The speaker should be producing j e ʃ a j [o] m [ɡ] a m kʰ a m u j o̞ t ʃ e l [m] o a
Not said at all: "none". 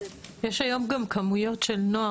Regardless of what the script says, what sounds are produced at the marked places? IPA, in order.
o, ɡ, n

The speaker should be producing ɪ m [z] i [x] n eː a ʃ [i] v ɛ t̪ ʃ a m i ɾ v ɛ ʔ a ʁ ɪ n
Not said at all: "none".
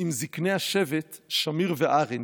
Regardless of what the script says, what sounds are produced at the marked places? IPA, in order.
z, k, ɛ

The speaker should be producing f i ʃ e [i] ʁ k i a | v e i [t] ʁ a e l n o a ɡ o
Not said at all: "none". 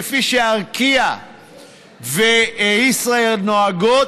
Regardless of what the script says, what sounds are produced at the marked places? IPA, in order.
a, s

